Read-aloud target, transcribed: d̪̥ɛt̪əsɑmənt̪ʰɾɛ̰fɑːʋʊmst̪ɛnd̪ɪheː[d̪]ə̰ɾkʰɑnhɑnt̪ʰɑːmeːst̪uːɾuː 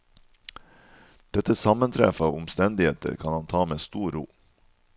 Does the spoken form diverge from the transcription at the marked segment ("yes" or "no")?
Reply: yes